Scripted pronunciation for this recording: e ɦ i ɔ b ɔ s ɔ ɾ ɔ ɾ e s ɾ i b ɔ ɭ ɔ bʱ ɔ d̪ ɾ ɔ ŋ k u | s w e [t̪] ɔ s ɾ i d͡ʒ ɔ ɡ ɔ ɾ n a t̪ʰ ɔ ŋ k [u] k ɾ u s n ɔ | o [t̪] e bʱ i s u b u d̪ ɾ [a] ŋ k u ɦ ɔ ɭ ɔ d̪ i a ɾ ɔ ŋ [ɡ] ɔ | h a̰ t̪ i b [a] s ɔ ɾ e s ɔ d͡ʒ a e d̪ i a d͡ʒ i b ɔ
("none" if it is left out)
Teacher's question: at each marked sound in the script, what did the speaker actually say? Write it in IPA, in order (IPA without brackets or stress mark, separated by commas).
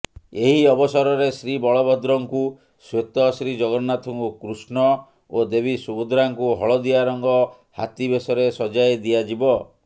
t̪, u, d̪, a, ɡ, e